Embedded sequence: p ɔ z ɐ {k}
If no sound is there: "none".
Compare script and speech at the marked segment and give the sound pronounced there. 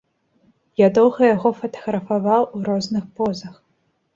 x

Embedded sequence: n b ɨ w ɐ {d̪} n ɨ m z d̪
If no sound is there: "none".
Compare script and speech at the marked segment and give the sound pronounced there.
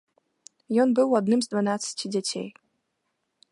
d̪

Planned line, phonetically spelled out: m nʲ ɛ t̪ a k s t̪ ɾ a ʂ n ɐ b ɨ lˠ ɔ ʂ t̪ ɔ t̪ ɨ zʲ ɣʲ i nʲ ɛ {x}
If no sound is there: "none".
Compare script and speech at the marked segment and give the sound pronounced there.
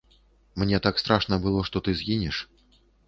ʂ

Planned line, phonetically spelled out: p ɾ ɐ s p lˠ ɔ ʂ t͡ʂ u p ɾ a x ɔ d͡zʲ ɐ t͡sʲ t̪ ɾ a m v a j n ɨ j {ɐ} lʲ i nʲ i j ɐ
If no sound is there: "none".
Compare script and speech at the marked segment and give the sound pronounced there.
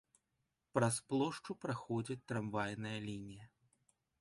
ɐ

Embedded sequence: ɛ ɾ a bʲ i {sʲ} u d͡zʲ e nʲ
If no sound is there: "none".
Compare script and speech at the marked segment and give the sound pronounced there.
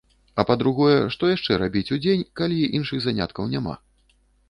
t͡sʲ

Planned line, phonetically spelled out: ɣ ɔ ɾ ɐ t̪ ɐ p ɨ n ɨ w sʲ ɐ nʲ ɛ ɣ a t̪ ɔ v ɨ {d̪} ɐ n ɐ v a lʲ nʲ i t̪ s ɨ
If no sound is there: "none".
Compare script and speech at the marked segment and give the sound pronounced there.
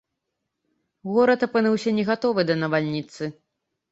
d̪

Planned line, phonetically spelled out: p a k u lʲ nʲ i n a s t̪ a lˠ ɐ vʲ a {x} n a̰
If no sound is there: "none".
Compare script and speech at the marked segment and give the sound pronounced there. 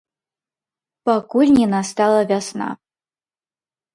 s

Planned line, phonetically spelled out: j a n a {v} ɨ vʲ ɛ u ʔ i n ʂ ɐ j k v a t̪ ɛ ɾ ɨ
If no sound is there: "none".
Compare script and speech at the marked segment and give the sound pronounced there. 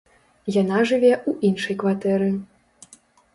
ʐ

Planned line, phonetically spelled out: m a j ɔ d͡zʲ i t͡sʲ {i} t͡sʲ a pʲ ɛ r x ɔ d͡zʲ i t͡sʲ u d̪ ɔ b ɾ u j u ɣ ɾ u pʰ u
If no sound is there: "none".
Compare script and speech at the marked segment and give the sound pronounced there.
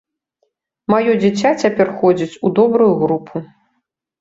a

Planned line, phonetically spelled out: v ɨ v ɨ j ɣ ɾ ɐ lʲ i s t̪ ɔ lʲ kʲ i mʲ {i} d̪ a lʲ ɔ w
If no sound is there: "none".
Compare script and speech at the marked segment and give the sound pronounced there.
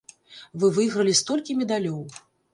ɛ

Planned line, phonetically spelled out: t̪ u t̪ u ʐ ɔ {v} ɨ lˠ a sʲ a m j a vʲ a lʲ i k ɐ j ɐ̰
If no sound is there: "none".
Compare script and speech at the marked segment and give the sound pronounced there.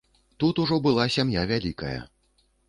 b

